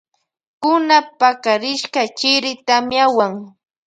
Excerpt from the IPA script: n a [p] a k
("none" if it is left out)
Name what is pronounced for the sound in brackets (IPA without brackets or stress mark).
p